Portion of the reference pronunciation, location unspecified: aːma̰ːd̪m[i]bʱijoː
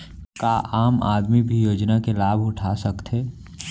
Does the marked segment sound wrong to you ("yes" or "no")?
no